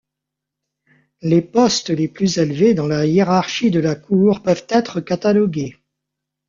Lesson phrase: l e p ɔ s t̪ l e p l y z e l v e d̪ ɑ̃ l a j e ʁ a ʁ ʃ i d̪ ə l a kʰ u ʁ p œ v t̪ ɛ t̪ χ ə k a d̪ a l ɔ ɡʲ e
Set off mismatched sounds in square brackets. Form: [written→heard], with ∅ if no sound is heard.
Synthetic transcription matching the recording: l e p ɔ s t̪ l e p l y z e l v e d̪ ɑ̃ l a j e ʁ a ʁ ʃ i d̪ ə l a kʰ u ʁ p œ v t̪ ɛ t̪ χ ə k a [d̪→t̪] a l ɔ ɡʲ e